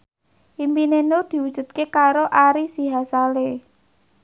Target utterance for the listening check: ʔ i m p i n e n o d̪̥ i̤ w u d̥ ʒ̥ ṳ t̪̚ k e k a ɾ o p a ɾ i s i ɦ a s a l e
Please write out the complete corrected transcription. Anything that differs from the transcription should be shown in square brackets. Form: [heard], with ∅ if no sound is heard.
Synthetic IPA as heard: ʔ i m p i n e n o d̪̥ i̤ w u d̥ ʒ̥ ṳ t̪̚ k e k a ɾ o [ʔ] a ɾ i s i ɦ a s a l e

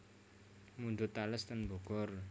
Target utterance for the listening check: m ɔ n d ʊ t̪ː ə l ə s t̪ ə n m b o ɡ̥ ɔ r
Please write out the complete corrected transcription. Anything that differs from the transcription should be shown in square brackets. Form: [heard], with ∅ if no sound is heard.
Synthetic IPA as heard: m [u] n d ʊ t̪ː [a] l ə s t̪ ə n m b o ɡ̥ ɔ r

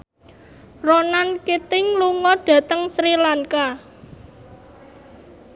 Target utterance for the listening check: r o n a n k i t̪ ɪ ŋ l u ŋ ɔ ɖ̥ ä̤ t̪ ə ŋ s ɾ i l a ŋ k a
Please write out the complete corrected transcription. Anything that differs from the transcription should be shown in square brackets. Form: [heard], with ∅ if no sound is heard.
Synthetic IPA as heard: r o n a n k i t̪ ɪ ŋ l u ŋ ɔ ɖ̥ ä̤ t̪ ə ŋ s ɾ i l a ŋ k a

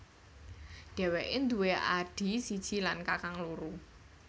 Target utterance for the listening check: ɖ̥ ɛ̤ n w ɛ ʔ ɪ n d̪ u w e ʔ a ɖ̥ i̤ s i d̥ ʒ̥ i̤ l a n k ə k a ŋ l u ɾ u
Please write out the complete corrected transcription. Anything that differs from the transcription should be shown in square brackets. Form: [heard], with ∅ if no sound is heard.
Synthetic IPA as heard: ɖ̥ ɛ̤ [∅] w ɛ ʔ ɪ n d̪ u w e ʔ a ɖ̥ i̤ s i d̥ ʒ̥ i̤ l a n k [a] k a ŋ l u ɾ u

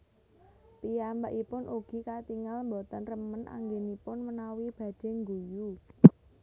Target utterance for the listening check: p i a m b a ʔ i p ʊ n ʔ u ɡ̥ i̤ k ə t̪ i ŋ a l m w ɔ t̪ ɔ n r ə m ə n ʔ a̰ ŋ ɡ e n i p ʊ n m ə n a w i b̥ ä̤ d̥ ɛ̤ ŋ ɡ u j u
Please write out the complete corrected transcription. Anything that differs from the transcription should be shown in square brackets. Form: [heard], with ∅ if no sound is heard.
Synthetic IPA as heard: p i a m b a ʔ i p ʊ n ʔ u ɡ̥ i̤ k [a] t̪ i ŋ a l m [b] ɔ t̪ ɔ n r ə m ə n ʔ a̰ ŋ ɡ e n i p ʊ n m ə n a w i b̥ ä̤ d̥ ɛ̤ ŋ ɡ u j u

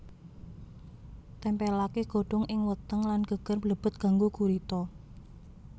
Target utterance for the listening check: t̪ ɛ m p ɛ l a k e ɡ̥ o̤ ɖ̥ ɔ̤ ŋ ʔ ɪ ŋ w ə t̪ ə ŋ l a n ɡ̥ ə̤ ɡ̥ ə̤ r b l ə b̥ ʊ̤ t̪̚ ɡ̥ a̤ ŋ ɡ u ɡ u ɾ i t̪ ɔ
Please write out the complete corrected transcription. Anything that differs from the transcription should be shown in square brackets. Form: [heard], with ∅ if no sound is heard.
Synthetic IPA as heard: t̪ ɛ m p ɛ l a k e ɡ̥ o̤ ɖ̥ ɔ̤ ŋ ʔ ɪ ŋ w ə t̪ ə ŋ l a n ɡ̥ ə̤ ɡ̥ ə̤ r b l ə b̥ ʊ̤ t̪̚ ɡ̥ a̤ ŋ ɡ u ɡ u ɾ i t̪ ɔ

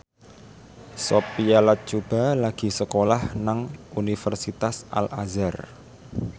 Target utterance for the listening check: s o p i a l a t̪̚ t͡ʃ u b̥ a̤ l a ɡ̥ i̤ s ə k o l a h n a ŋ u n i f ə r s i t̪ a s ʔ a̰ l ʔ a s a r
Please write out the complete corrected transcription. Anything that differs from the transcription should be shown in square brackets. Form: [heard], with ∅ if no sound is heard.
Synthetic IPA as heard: s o p i a l a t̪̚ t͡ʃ u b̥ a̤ l a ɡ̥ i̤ s ə k o l a h n a ŋ u n i f ə r s i t̪ a s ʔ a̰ l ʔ a [z] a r

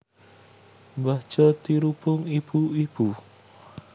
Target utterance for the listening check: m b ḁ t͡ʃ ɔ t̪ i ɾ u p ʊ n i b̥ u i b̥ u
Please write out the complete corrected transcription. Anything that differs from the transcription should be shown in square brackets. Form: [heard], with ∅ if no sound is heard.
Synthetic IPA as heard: m b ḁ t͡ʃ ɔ t̪ i ɾ u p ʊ [ŋ] i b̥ u i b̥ u

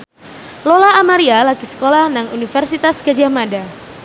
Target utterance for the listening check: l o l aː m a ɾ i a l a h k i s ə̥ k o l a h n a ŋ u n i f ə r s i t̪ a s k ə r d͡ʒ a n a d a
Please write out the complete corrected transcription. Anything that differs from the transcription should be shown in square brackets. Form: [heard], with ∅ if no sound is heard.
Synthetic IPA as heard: l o l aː m a ɾ i a l a [∅] k i s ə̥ k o l a h n a ŋ u n i f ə r s i t̪ a s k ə [∅] d͡ʒ a [m] a d a

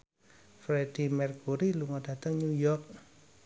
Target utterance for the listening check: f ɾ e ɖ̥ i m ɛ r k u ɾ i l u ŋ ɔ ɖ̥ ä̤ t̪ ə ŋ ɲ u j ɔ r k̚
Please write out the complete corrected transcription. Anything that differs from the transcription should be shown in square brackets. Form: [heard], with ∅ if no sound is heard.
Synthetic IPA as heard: f ɾ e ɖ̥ i m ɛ r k u ɾ i l u ŋ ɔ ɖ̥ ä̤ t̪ ə ŋ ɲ u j ɔ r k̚

